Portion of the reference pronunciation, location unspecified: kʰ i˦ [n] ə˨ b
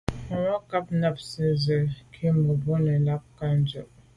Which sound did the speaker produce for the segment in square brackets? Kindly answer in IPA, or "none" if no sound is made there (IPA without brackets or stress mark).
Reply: m